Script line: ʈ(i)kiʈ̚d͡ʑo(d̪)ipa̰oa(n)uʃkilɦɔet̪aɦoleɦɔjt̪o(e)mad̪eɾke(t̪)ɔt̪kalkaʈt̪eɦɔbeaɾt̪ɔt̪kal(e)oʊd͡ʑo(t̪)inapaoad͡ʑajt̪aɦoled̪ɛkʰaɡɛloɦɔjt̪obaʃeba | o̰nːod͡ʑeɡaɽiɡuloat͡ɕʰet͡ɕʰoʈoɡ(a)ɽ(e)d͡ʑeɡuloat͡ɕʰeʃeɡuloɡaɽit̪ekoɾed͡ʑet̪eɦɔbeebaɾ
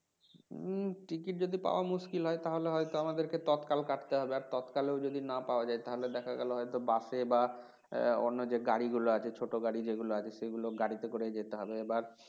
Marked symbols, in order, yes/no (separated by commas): yes, yes, no, no, yes, yes, no, yes, no